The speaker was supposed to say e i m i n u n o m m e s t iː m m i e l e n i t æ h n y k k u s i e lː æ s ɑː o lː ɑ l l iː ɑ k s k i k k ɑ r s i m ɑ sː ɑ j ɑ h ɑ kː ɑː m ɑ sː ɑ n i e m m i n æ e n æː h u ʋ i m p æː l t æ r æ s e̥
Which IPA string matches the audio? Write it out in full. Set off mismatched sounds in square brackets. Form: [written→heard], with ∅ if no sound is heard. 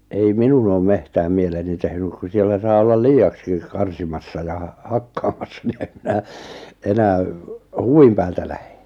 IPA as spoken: e i m i n u n [o→oː] m m e [s→h] t [iː→æː] m m i e l e n i t [æ→e] h n y k k u s i e lː æ s ɑː o lː ɑ l l iː ɑ k s k i k k ɑ r s i m ɑ sː ɑ j ɑ h ɑ kː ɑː m ɑ sː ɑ n i e m m i n æ e n æː h u ʋ i m p æː l t æ [r→l] æ [s→h] e̥